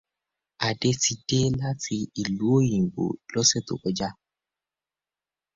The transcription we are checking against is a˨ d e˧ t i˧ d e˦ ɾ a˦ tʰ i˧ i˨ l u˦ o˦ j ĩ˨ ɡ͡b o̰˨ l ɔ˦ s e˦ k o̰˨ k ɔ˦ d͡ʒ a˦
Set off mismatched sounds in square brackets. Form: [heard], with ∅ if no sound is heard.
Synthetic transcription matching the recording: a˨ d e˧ t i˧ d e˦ [l] a˦ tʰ i˧ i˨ l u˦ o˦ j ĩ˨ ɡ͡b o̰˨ l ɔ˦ s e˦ [t] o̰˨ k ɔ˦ d͡ʒ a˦